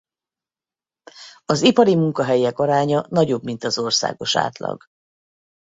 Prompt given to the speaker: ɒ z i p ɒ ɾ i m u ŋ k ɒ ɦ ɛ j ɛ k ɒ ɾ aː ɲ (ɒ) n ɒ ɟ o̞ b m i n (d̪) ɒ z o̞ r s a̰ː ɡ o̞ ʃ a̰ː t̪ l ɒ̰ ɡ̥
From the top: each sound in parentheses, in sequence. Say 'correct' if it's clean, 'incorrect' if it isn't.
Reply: correct, incorrect: t̪

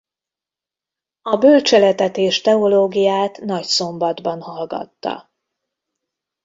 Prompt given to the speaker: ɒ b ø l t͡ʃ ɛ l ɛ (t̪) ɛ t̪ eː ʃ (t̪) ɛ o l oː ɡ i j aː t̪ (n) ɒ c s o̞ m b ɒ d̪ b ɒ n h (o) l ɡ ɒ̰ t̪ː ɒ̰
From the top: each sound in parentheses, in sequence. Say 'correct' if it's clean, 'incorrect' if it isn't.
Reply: correct, correct, correct, incorrect: ɒ

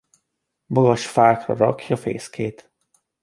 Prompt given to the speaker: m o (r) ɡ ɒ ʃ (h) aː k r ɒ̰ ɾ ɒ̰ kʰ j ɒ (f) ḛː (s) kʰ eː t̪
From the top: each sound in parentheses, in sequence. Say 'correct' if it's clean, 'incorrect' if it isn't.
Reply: incorrect: none, incorrect: f, correct, correct

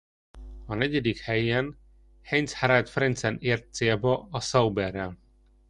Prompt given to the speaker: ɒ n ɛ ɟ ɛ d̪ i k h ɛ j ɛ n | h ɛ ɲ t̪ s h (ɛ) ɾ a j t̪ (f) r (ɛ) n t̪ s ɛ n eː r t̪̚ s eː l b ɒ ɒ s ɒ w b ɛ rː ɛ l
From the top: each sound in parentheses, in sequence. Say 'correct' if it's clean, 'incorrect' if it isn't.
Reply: incorrect: a, correct, correct

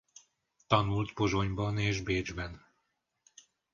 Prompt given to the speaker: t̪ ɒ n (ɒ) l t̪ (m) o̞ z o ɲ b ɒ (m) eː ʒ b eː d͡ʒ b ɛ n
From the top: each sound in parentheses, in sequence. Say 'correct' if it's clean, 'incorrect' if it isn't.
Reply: incorrect: u, incorrect: b, incorrect: n

